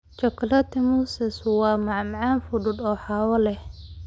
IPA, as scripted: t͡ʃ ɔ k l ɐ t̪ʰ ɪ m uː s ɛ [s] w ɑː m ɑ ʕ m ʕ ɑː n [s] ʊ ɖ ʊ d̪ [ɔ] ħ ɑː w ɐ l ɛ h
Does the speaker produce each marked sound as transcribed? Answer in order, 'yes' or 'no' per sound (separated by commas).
yes, no, no